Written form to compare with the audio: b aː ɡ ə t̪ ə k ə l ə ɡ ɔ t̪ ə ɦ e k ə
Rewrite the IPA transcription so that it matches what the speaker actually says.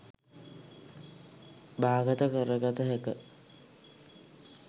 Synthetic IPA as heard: b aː ɡ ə t̪ ə k ə ɾ ə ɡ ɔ t̪ ə ɦ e k ə